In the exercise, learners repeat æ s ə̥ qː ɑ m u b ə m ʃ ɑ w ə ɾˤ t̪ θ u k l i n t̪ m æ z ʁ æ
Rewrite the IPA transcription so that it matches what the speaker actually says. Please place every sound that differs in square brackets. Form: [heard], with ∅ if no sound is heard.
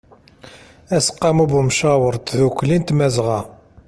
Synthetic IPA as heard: æ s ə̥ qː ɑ m u b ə m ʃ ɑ w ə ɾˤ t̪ [ð] u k l i n t̪ m æ z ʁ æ